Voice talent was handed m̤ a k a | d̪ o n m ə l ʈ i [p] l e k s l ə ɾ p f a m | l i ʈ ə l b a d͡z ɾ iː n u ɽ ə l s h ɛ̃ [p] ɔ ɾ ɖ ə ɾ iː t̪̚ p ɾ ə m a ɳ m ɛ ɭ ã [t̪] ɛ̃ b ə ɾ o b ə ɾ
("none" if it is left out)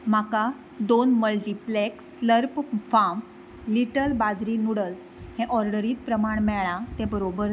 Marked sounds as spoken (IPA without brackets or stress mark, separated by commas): p, ʔ, t̪